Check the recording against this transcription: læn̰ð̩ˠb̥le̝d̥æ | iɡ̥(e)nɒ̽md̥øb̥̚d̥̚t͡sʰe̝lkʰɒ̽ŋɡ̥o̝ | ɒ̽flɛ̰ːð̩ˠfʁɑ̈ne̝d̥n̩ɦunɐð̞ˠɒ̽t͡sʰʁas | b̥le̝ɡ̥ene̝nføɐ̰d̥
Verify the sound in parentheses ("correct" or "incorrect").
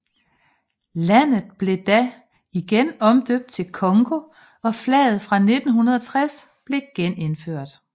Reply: correct